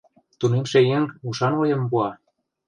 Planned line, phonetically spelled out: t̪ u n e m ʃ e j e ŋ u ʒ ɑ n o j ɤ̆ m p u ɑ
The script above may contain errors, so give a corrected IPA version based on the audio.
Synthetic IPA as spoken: t̪ u n e m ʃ e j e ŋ u ʃ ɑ n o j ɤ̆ m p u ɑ